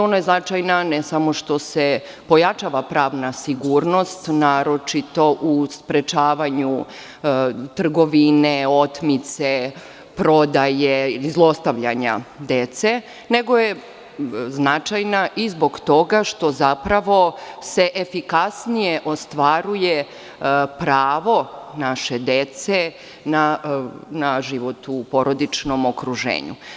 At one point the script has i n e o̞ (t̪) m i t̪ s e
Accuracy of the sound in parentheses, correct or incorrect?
correct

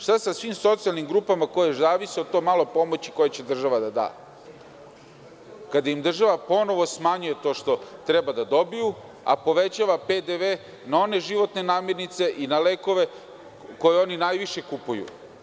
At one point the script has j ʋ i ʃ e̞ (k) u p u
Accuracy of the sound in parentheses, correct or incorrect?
correct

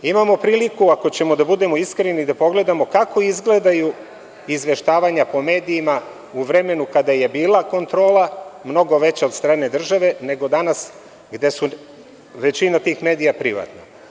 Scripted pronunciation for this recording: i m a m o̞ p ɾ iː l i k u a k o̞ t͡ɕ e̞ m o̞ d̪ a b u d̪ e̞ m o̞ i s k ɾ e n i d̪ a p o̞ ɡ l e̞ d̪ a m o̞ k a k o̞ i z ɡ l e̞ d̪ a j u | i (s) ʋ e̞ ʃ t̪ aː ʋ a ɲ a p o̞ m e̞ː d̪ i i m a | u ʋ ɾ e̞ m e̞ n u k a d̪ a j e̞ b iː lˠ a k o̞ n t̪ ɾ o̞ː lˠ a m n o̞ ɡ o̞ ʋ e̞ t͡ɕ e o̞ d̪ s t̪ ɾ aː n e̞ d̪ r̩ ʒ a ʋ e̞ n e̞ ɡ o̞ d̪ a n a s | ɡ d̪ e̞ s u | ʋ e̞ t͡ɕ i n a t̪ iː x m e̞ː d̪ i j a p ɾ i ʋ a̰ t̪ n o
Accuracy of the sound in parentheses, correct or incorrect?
incorrect: z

